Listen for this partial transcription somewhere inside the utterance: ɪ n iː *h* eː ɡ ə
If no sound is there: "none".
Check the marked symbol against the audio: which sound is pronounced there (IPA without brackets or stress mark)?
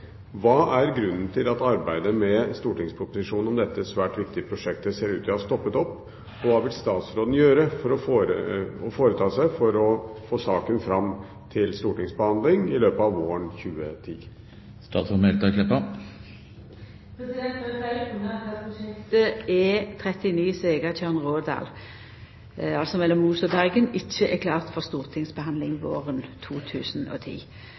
s